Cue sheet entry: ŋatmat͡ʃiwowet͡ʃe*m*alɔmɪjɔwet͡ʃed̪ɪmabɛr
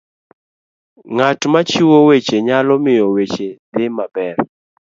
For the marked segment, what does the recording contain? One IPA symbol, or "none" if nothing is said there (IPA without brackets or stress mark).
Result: ɲ